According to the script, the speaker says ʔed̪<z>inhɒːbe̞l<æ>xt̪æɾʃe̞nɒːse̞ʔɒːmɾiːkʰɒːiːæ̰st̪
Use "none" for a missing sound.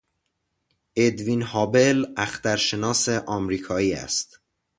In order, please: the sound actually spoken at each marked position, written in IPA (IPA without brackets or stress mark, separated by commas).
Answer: v, æ